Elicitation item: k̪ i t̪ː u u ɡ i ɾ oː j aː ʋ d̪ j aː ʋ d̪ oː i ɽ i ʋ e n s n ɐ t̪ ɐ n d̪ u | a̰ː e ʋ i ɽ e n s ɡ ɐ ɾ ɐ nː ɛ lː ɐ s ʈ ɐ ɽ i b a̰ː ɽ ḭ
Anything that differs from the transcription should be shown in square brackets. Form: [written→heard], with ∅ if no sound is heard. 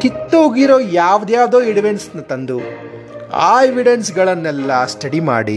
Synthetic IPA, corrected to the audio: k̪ i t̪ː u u ɡ i ɾ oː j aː ʋ d̪ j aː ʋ d̪ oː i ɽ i ʋ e n s n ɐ t̪ ɐ n d̪ u | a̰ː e ʋ i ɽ e n s ɡ ɐ [ɾ→ɭ] ɐ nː ɛ lː ɐ s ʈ ɐ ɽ i [b→m] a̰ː ɽ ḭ